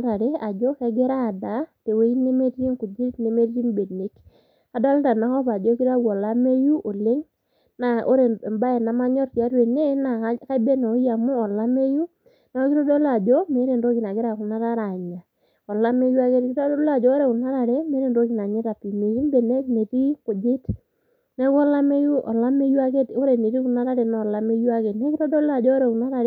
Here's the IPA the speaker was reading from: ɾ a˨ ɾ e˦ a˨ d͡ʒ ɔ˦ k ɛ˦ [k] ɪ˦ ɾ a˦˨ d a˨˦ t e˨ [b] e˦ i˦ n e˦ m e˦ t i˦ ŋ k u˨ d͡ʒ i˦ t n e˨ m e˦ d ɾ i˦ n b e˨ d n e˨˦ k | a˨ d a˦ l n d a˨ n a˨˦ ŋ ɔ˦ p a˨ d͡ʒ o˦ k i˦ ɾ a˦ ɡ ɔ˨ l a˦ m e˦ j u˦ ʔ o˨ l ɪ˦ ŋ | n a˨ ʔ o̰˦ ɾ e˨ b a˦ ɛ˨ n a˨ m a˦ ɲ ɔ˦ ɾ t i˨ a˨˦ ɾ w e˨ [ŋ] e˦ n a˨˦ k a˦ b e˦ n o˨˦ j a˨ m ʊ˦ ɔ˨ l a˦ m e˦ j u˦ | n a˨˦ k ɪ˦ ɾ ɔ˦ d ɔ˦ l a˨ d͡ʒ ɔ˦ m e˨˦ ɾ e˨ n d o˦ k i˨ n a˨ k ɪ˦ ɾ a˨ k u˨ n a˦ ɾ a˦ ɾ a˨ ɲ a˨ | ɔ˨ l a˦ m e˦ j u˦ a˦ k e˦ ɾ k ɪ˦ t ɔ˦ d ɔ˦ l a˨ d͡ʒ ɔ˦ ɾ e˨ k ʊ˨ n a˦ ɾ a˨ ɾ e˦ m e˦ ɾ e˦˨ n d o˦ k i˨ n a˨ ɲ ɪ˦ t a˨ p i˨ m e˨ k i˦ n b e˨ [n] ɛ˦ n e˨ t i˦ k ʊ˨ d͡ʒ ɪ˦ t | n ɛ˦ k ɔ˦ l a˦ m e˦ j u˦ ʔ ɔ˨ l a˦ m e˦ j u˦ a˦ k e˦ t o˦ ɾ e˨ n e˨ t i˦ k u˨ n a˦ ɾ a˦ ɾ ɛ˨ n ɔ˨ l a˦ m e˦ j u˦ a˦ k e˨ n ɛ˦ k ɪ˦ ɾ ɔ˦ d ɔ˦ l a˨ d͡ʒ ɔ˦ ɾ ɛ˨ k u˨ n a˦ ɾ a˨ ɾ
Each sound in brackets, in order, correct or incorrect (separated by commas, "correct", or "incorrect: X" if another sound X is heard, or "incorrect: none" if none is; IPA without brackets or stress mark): incorrect: ɡ, incorrect: w, incorrect: n, correct